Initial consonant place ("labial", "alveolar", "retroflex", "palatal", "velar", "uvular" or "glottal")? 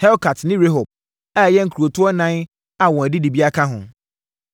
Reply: glottal